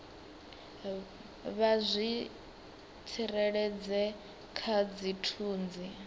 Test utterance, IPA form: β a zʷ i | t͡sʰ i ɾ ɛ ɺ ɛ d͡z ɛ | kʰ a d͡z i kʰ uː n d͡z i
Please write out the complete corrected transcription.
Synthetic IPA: β a zʷ i | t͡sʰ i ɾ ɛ ɺ ɛ d͡z ɛ | kʰ a d͡z i tʰ uː n d͡z i